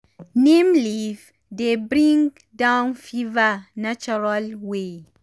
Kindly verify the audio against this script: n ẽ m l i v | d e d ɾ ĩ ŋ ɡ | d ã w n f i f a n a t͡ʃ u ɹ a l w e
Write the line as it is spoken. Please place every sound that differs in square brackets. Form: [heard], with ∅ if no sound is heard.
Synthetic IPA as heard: n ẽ m l i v | d e [b] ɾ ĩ ŋ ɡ | d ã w n f i [v] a n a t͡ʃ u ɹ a l w e